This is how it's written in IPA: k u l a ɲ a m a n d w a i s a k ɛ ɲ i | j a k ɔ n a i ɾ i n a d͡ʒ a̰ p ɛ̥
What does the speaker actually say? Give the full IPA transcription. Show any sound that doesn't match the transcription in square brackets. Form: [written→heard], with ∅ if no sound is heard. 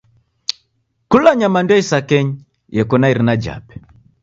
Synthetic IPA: k u l a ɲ a m a n d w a i s a k ɛ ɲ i | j [a→ɛ] k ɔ n a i ɾ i n a d͡ʒ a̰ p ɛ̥